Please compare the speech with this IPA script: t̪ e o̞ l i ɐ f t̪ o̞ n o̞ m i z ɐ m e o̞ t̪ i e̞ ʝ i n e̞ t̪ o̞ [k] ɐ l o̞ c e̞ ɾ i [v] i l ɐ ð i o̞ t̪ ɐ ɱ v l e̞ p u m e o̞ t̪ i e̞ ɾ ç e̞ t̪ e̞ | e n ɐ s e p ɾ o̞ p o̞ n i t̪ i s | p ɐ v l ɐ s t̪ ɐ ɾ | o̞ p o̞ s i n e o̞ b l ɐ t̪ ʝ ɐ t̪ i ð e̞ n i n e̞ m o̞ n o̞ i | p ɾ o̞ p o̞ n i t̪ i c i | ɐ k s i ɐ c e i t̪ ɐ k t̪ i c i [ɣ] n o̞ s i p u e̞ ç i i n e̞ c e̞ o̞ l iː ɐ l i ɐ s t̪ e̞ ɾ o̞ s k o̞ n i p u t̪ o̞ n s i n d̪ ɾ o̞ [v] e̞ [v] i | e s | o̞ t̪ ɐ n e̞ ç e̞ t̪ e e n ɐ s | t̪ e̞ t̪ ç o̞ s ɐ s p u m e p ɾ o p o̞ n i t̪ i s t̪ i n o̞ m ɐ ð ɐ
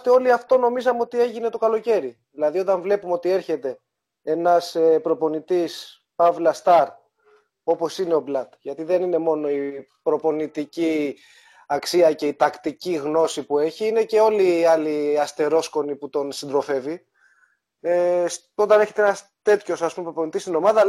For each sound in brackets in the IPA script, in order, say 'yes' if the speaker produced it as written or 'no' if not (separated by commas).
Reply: yes, no, yes, no, yes